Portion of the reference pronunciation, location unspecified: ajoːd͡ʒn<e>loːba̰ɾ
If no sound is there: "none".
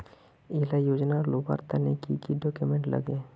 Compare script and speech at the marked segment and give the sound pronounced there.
a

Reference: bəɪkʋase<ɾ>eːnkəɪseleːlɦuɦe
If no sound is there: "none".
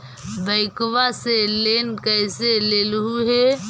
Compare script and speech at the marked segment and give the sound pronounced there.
l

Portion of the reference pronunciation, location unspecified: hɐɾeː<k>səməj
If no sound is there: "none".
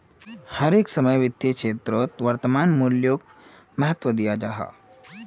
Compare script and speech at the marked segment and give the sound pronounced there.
k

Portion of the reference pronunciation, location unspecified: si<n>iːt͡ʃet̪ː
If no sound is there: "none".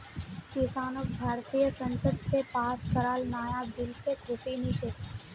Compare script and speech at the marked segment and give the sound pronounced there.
n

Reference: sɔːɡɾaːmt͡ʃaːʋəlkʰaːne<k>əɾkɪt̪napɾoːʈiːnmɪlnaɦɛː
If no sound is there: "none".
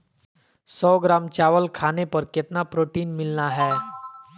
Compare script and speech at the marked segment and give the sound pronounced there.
p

